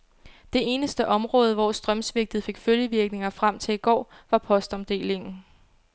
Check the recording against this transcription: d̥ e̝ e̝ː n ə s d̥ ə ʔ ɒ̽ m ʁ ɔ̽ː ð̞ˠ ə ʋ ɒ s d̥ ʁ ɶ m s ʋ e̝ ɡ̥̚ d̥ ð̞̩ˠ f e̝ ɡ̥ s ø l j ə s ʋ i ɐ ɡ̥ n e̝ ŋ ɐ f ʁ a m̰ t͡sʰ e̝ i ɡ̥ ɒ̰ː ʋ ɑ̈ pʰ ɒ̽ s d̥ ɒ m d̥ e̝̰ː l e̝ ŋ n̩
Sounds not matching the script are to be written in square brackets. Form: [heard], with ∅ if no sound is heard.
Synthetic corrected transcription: d̥ e̝ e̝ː n ə s d̥ ə ʔ ɒ̽ m ʁ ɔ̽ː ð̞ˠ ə ʋ ɒ s d̥ ʁ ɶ m s ʋ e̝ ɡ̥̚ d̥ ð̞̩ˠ f e̝ ɡ̥ [f] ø l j ə [∅] ʋ i ɐ ɡ̥ n e̝ ŋ ɐ f ʁ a m̰ t͡sʰ e̝ i ɡ̥ ɒ̰ː ʋ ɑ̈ pʰ ɒ̽ s d̥ ɒ m d̥ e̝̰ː l e̝ ŋ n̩